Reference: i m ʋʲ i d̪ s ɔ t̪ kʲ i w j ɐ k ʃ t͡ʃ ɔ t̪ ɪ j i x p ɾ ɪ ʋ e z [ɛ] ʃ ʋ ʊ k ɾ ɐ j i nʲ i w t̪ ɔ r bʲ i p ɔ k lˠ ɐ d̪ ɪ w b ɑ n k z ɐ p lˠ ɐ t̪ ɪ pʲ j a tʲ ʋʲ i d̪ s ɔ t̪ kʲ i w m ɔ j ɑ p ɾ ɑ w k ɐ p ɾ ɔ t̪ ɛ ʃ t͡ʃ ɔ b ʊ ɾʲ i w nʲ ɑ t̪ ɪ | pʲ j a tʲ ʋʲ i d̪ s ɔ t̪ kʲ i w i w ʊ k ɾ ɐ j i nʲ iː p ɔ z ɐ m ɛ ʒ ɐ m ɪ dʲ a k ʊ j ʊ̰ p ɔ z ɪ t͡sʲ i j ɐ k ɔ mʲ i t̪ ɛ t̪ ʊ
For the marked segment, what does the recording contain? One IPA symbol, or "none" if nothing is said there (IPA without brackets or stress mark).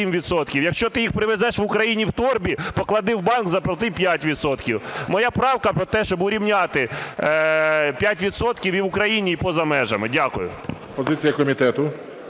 ɛ